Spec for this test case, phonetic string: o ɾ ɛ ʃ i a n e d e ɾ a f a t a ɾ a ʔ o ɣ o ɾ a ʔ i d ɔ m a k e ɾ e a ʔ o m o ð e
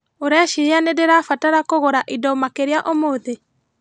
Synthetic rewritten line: o ɾ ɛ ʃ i a n e d e ɾ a f a t a ɾ a k o ɣ o ɾ a ʔ i d ɔ m a k e ɾ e a ʔ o m o ð e